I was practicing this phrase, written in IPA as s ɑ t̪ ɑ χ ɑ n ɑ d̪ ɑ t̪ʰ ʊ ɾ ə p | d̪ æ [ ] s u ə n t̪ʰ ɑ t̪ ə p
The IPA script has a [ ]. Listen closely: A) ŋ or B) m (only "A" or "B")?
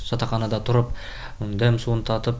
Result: B